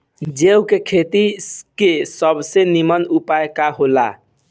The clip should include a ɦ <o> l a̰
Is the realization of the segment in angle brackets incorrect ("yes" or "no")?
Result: no